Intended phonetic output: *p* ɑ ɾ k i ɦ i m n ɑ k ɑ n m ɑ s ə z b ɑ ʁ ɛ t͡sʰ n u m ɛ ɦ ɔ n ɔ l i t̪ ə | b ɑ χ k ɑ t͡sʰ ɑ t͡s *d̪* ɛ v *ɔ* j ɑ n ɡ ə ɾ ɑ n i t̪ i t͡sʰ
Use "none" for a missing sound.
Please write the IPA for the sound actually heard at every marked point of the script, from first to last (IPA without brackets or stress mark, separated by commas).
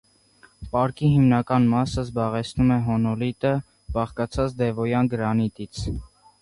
p, d̪, ɔ